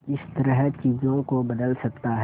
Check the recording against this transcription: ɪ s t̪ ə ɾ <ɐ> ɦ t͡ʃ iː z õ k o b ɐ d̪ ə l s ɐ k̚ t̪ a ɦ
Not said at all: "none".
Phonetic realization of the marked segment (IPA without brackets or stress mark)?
ə